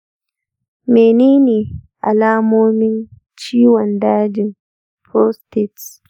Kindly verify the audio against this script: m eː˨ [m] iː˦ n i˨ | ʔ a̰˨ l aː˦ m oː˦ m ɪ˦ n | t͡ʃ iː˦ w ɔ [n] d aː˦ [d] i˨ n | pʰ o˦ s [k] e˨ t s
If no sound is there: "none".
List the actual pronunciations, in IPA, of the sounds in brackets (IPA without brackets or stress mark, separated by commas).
n, n, d͡ʒ, t